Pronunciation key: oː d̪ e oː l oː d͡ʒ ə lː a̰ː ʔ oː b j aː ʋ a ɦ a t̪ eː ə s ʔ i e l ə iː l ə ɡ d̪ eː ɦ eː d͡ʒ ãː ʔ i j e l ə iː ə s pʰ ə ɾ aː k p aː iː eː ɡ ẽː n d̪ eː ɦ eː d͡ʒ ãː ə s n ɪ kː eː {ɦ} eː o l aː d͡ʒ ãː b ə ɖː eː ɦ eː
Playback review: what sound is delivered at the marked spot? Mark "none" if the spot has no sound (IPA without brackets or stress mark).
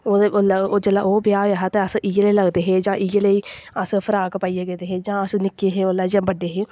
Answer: ɦ